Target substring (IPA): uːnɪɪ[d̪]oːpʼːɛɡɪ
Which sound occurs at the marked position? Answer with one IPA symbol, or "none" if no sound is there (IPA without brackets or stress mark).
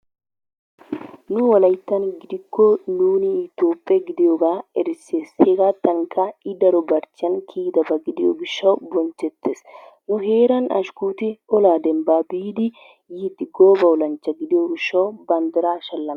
t̪